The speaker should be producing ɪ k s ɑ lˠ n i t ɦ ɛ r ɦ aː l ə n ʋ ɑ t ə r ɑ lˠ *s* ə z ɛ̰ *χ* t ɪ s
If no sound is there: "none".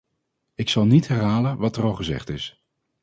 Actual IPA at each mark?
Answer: χ, χ

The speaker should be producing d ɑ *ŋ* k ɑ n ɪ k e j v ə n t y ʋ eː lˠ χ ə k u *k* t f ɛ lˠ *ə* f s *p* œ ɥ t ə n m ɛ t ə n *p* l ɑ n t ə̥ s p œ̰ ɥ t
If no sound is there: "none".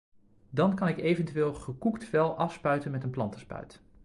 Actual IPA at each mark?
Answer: n, k, ɑ, p, p

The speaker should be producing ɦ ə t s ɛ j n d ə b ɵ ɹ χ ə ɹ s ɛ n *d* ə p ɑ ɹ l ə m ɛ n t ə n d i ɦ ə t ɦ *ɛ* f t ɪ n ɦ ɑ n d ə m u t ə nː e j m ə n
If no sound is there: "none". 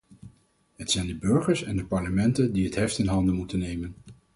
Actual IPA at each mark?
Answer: d, ɛ

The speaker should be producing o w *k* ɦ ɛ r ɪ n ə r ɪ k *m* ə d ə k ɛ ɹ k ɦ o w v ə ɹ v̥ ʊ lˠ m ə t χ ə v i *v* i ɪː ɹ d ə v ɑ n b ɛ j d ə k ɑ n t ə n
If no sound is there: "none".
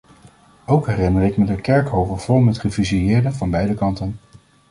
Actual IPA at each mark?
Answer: k, m, z

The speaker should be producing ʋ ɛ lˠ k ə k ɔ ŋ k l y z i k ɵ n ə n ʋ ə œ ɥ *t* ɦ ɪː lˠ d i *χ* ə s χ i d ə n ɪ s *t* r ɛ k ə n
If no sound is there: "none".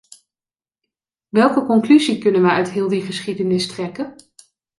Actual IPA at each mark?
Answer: t, χ, t

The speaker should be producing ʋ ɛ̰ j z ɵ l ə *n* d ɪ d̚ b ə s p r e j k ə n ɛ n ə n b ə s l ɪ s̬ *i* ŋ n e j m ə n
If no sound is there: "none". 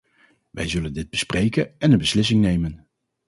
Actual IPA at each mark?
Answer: n, ɪ

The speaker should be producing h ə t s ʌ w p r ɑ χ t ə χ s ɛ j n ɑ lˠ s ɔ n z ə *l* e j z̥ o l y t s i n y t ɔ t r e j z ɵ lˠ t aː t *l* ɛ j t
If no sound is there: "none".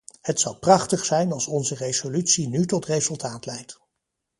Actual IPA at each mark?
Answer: r, l

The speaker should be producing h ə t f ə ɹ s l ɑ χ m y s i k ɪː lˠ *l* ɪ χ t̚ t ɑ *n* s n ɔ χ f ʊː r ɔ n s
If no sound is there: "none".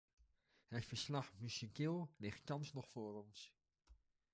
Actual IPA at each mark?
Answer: l, n

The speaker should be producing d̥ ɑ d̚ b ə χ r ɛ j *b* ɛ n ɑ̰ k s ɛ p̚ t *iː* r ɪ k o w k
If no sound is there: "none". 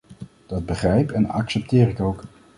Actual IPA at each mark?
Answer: p, ɪː

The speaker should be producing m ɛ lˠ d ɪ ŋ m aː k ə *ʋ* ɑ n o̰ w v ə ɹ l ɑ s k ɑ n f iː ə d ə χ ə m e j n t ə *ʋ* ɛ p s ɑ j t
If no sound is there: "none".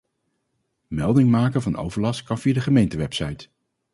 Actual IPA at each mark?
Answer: v, ʋ

